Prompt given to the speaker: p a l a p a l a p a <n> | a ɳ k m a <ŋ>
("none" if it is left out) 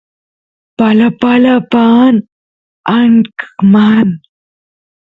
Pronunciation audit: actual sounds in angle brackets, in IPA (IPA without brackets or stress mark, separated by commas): n, n